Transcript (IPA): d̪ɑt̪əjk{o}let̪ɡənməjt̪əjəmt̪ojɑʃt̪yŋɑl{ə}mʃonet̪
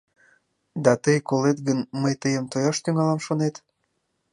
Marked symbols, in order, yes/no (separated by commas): yes, no